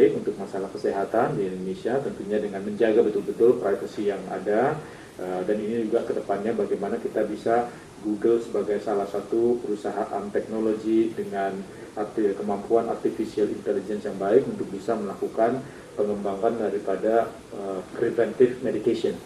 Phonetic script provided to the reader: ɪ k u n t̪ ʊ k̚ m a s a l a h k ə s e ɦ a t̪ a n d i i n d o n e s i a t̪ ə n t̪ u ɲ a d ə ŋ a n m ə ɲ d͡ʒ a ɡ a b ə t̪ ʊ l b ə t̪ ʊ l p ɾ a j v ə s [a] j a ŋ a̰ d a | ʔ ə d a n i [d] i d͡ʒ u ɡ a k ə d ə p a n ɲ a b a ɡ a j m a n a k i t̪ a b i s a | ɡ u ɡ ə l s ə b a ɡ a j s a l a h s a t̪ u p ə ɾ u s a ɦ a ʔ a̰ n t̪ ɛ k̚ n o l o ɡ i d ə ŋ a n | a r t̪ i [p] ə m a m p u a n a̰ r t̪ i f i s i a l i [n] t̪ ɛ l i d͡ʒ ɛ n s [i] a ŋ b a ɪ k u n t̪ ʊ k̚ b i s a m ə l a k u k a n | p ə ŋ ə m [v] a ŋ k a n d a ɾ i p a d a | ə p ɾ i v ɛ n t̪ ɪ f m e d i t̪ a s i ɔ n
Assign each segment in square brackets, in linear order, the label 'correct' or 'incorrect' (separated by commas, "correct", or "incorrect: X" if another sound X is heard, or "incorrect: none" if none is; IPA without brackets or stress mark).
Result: incorrect: i, incorrect: n, incorrect: k, correct, incorrect: j, incorrect: b